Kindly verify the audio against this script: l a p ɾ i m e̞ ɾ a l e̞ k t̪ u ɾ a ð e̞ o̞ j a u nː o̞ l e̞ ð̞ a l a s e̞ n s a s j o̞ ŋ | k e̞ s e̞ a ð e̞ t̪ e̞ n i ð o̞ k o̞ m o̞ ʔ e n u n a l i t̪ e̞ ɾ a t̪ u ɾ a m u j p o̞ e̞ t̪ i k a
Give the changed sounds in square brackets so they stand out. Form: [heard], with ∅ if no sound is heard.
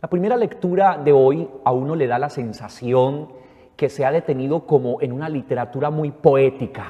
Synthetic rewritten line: l a p ɾ i m e̞ ɾ a l e̞ k t̪ u ɾ a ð e̞ o̞ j a u [n] o̞ l e̞ ð̞ a l a s e̞ n s a s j o̞ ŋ | k e̞ s e̞ a ð e̞ t̪ e̞ n i ð o̞ k o̞ m o̞ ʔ e n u n a l i t̪ e̞ ɾ a t̪ u ɾ a m u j p o̞ e̞ t̪ i k a